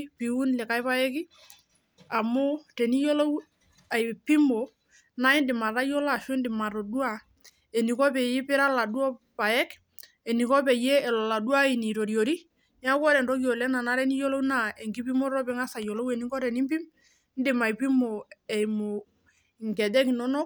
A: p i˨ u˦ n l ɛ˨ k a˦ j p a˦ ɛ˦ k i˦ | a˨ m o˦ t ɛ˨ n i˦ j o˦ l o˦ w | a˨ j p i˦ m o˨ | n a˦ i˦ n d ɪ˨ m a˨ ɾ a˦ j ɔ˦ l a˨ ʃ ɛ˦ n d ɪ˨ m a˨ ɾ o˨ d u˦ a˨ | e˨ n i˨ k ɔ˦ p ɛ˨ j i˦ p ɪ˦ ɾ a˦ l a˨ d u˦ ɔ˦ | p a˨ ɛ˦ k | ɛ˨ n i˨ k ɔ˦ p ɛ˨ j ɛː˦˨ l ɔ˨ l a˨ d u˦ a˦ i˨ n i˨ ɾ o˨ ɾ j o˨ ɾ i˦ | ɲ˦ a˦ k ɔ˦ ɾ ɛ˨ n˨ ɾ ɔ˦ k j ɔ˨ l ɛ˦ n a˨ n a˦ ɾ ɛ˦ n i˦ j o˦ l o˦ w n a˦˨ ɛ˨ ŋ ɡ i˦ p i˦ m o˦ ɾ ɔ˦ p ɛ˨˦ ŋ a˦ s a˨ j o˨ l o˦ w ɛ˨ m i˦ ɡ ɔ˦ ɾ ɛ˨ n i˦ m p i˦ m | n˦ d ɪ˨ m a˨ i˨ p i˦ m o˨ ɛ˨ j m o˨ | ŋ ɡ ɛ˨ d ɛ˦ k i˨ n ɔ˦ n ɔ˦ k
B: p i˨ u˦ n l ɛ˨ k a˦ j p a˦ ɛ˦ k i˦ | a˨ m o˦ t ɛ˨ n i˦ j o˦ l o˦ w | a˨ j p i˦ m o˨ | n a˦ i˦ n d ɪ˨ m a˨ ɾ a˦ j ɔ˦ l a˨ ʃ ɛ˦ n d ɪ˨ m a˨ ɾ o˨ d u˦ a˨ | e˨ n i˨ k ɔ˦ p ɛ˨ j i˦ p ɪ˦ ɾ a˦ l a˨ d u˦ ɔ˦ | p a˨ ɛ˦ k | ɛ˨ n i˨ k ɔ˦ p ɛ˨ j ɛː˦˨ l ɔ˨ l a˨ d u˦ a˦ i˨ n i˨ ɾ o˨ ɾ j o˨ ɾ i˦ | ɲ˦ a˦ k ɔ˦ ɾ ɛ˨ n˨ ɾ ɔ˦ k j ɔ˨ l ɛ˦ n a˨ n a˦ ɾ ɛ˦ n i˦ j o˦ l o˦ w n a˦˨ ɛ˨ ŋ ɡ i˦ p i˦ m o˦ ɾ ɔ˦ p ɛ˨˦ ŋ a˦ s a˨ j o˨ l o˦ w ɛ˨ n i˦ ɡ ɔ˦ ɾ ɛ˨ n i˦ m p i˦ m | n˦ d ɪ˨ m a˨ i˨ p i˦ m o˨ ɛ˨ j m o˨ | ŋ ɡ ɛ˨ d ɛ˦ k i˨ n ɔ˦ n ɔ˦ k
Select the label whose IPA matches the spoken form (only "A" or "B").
B